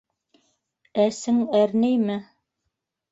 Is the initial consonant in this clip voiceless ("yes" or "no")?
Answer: yes